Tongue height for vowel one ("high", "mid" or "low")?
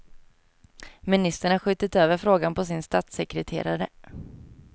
high